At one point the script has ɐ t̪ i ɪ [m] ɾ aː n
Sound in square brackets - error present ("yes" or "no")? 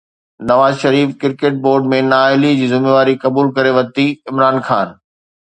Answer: no